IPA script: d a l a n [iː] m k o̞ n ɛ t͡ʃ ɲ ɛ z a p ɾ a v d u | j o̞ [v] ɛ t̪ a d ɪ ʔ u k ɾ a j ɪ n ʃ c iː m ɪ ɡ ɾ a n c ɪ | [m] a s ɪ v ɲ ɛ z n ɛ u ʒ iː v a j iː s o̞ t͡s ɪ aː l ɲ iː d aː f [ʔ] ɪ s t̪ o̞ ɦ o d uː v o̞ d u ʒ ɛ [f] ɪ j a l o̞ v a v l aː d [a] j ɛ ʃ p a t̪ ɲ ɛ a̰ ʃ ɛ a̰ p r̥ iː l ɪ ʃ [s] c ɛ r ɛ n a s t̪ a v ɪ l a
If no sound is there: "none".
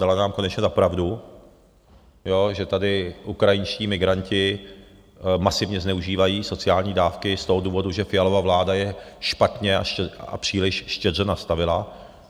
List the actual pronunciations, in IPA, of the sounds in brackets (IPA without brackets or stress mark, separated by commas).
aː, ʒ, m, k, f, a, ʃ